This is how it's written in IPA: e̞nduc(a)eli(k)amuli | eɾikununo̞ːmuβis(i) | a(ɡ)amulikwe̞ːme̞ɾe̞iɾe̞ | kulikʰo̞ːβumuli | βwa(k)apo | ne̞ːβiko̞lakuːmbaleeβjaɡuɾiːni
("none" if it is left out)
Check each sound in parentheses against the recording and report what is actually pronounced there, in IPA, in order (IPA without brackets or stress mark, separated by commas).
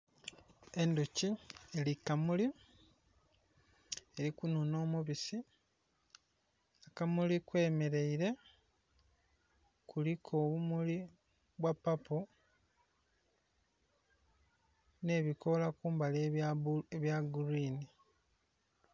i, k, i, k, p